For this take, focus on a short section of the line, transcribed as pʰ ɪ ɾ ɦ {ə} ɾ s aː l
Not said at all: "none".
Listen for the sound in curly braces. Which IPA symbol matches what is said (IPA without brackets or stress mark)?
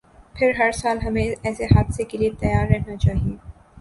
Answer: ɐ